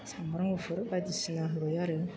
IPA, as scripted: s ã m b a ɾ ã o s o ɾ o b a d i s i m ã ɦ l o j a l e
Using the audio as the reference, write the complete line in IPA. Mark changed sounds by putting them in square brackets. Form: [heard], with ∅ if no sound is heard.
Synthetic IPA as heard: s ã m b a ɾ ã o [f] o ɾ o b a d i s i [n] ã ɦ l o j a [ɾ] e